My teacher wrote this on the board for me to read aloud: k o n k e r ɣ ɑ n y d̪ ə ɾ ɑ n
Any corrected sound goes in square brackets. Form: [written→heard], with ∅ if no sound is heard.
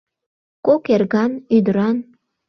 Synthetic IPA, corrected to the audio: k o [n→∅] k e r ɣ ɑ n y d̪ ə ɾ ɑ n